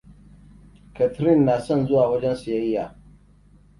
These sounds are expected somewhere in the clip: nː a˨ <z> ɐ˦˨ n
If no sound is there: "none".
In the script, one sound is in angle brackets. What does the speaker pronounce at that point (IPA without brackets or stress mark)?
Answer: s